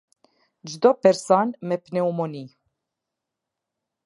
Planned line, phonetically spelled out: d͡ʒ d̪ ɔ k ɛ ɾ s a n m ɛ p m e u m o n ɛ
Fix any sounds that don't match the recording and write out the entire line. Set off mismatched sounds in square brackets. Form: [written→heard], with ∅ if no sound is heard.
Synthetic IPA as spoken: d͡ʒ d̪ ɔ [k→p] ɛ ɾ s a n m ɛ p [m→n] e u m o n [ɛ→i]